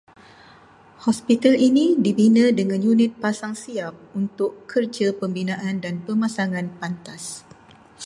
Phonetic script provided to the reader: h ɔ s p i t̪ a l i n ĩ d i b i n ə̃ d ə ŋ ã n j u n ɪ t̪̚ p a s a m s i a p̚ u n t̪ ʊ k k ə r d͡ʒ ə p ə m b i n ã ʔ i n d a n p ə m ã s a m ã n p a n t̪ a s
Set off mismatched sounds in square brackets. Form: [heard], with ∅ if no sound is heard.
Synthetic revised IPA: h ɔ s p i t̪ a l i n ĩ d i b i n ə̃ d ə ŋ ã n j u n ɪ t̪̚ p a s a [ŋ] s i a p̚ u n t̪ ʊ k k ə r d͡ʒ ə p ə m b i n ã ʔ [a] n d a n p ə m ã s a [ŋ] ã n p a n t̪ a s